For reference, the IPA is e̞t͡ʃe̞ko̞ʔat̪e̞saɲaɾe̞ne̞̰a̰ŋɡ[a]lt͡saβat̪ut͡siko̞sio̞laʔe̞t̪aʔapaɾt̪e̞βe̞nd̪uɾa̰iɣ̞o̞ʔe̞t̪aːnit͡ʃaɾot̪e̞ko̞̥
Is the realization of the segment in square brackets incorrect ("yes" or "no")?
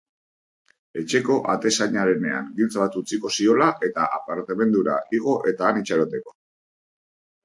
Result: yes